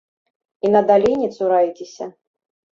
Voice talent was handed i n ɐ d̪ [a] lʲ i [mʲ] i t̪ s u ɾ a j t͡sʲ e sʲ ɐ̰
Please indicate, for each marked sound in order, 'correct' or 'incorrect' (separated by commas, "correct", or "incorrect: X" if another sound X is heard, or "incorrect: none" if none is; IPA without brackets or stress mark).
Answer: correct, incorrect: nʲ